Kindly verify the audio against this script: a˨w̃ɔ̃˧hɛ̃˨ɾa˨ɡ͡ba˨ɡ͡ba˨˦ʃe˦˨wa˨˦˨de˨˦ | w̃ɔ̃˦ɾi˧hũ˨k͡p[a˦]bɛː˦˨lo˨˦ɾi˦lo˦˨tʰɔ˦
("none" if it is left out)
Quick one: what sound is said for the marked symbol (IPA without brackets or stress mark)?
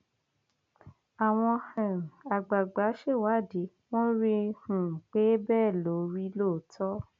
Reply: e˦